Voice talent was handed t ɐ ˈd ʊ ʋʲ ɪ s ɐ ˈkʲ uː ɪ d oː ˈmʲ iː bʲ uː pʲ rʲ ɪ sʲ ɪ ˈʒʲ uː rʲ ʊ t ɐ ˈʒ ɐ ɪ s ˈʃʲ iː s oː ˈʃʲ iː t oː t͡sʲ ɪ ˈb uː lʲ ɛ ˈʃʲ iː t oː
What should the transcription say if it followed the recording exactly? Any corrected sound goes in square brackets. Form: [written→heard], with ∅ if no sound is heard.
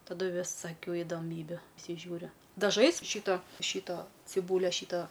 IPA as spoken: t ɐ ˈd ʊ ʋʲ ɪ s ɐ ˈkʲ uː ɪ d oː ˈmʲ iː bʲ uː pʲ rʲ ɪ sʲ ɪ ˈʒʲ uː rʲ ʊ [t→d] ɐ ˈʒ ɐ ɪ s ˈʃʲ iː [s→t] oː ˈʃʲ iː t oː t͡sʲ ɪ ˈb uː lʲ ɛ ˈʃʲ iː t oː